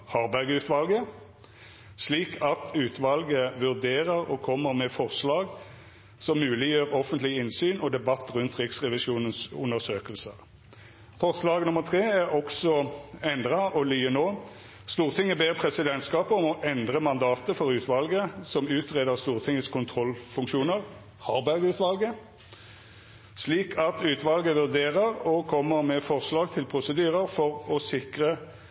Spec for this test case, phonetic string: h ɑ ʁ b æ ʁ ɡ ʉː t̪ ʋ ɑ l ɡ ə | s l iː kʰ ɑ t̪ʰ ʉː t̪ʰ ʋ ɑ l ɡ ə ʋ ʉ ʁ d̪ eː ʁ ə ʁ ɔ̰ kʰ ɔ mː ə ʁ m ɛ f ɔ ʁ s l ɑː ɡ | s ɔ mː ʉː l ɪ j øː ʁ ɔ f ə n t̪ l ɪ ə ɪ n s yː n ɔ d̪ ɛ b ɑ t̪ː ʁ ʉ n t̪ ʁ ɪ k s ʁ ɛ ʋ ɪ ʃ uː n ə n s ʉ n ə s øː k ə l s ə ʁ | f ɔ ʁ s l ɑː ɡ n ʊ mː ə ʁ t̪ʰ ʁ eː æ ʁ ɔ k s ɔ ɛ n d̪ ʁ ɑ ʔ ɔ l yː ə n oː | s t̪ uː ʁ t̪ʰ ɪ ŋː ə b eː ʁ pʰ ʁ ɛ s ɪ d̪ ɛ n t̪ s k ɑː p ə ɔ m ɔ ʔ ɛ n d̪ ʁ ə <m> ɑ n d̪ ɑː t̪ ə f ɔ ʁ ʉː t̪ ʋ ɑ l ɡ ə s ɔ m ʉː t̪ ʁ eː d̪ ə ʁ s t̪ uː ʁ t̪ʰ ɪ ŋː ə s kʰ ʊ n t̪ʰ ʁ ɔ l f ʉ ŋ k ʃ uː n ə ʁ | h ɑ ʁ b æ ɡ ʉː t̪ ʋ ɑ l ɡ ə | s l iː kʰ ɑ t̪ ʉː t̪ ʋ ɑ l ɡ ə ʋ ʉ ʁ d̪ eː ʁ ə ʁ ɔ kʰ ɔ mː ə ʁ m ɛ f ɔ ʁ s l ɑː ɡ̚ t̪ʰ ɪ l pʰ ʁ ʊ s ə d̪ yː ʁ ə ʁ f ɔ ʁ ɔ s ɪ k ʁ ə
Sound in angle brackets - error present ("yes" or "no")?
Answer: no